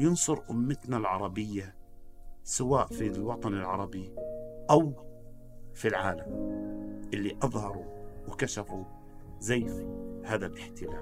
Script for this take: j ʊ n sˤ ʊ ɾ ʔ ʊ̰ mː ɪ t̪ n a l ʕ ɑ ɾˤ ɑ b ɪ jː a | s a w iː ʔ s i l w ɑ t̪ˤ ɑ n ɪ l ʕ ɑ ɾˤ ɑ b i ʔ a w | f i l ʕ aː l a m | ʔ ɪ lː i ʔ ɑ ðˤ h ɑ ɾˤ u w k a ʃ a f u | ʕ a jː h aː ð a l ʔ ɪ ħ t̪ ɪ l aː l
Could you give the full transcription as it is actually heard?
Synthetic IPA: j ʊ n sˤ ʊ ɾ ʔ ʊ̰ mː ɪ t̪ n a l ʕ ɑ ɾˤ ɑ b ɪ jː a | s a w aː ʔ f i l w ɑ t̪ˤ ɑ n ɪ l ʕ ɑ ɾˤ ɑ b i ʔ a w | f i l ʕ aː l a m | ʔ ɪ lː i ʔ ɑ ðˤ h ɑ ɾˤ u w k a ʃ a f u | z a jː h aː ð a l ʔ ɪ ħ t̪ ɪ l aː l